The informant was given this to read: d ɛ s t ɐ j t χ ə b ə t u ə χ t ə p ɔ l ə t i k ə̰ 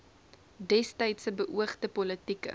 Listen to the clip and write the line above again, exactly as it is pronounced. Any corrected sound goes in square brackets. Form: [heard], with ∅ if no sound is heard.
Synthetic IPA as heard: d ɛ s t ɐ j t [s] ə b ə [ʔ] u ə χ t ə p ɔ l ə t i k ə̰